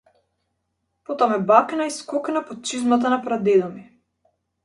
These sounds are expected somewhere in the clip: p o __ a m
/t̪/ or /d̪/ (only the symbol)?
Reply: t̪